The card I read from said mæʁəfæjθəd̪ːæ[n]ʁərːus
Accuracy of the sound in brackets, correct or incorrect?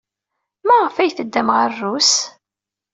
incorrect